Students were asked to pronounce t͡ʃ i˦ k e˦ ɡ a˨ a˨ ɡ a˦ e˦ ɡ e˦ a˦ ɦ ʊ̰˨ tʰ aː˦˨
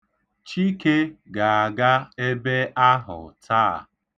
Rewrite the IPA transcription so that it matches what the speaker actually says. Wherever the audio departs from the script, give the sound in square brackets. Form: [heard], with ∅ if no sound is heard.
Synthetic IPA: t͡ʃ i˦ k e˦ ɡ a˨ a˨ ɡ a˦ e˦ [b] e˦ a˦ ɦ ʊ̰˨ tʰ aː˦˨